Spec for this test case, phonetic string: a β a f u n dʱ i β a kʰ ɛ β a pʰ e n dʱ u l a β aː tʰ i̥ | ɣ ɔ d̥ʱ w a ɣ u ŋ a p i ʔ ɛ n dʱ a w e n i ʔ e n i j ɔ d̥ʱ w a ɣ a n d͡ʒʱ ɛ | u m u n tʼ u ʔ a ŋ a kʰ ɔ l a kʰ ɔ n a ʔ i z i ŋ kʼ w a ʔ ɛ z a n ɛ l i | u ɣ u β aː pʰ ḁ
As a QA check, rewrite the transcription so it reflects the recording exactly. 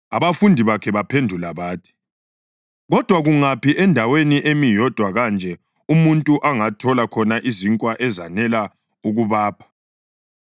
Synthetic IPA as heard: a β a f u n dʱ i β a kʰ ɛ β a pʰ e n dʱ u l a β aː tʰ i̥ | ɣ ɔ d̥ʱ w a ɣ u ŋ a p i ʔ ɛ n dʱ a w e n i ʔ e m i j ɔ d̥ʱ w a ɣ a n d͡ʒʱ ɛ | u m u n tʼ u ʔ a ŋ a tʰ ɔ l a kʰ ɔ n a ʔ i z i ŋ kʼ w a ʔ ɛ z a n ɛ l a | u ɣ u β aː pʰ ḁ